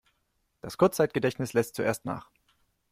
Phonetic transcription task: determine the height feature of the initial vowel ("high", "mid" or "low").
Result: low